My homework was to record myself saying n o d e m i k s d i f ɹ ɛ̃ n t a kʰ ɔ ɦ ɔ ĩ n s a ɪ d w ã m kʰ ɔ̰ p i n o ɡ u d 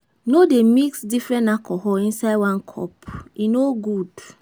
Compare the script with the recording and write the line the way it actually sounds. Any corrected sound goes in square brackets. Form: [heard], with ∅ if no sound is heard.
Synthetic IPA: n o d e m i k s d i f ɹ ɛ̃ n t a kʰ ɔ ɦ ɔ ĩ n s a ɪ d w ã [n] kʰ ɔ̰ p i n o ɡ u d